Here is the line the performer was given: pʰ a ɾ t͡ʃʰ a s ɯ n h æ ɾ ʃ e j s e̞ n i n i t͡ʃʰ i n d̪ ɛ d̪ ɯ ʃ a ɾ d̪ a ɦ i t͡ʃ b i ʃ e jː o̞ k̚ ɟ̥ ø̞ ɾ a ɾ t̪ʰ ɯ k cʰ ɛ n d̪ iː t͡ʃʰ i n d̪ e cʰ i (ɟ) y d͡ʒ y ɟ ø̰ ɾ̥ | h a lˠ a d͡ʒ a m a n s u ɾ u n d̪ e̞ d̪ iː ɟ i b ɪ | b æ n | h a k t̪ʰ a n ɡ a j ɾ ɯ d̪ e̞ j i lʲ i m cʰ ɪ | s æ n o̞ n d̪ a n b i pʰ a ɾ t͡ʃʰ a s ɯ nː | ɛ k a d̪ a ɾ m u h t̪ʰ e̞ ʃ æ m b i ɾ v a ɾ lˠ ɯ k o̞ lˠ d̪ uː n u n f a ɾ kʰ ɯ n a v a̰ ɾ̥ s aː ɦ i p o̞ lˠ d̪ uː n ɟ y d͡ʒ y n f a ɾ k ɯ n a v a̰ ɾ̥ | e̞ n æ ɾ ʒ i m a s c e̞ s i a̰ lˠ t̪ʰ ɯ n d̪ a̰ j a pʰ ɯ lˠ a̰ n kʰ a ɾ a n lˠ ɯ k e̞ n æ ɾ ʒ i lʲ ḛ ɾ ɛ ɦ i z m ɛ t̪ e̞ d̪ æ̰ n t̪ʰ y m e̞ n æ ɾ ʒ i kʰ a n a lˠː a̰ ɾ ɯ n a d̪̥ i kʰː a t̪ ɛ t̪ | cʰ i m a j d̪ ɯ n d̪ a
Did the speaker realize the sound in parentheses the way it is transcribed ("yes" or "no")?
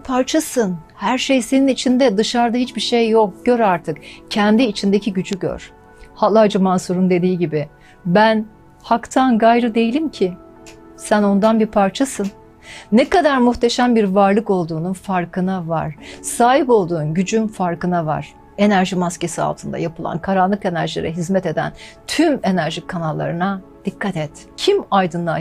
yes